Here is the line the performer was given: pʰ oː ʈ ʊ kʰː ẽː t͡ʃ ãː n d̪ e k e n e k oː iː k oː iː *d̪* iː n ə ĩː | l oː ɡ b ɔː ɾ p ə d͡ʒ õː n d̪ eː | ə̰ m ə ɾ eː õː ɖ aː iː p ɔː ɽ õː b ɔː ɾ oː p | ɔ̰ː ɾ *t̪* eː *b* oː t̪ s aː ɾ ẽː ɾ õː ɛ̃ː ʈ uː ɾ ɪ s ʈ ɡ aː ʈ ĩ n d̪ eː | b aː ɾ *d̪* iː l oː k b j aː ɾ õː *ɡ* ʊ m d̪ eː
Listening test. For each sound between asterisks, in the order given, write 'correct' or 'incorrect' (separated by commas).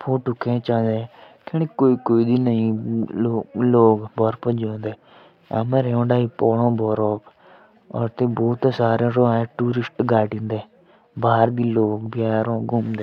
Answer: correct, correct, correct, correct, correct